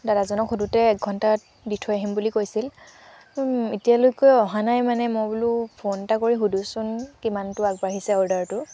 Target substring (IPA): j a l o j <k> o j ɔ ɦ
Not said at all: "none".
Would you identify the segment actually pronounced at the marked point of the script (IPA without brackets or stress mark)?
k